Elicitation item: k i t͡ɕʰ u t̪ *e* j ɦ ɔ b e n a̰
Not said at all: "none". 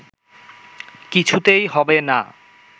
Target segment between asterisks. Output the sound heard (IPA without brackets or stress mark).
e